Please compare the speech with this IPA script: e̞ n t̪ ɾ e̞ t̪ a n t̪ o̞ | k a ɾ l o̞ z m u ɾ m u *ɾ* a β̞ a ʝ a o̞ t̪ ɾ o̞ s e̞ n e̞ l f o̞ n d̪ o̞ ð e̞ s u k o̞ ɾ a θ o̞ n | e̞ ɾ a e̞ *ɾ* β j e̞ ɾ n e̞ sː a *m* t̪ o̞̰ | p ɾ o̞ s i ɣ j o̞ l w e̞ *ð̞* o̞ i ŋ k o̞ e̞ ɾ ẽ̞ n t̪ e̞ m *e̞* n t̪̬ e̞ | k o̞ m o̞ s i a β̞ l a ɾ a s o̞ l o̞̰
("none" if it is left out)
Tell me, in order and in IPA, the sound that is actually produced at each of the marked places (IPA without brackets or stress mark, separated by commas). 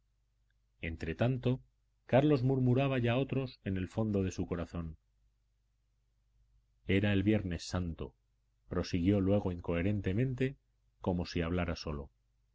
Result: ɾ, l, n, ɣ̞, ẽ̞